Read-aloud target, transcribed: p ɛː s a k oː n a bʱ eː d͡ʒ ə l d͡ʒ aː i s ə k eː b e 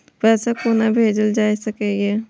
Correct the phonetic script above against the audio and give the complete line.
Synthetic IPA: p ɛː s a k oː n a bʱ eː d͡ʒ ə l d͡ʒ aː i s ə k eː ɡ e